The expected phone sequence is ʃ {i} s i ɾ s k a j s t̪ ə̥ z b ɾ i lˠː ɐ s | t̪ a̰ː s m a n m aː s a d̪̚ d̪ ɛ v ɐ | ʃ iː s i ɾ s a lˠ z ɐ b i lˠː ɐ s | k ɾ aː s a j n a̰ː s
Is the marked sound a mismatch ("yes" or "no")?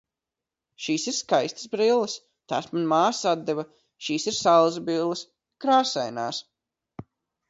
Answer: yes